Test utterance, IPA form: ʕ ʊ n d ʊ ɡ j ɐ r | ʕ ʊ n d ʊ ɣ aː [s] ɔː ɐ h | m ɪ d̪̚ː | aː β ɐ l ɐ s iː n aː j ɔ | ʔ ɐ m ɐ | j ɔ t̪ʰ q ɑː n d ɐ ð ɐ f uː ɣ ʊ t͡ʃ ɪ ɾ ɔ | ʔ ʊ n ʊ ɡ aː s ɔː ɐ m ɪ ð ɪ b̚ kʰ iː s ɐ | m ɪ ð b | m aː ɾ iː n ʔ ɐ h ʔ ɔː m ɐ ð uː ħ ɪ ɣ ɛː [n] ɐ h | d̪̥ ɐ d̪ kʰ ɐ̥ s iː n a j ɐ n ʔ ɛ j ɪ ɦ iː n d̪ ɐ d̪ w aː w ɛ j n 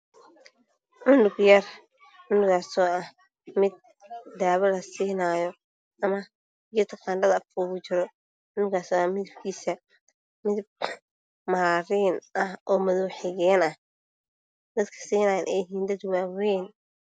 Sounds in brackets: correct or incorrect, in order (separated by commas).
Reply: correct, correct